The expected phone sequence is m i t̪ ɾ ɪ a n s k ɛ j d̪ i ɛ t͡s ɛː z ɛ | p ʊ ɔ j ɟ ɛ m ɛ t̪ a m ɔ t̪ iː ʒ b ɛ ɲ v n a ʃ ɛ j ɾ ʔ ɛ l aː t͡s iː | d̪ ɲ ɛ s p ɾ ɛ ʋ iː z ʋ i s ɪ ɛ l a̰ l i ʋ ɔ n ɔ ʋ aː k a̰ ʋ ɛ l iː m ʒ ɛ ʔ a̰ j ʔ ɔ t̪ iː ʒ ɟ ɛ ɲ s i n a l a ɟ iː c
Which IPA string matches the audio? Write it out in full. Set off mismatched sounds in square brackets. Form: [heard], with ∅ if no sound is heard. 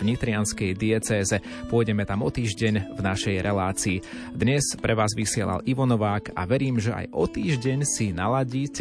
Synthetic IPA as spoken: [ɲ] i t̪ ɾ ɪ a n s k ɛ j d̪ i ɛ t͡s ɛː z ɛ | p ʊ ɔ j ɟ ɛ m ɛ t̪ a m ɔ t̪ iː ʒ [ɟ] ɛ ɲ v n a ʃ ɛ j ɾ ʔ ɛ l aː t͡s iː | d̪ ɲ ɛ s p ɾ ɛ ʋ [aː] z ʋ i s ɪ ɛ l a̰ l i ʋ ɔ n ɔ ʋ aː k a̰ ʋ ɛ [ɾ] iː m ʒ ɛ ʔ a̰ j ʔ ɔ t̪ iː ʒ ɟ ɛ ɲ s i n a l a ɟ iː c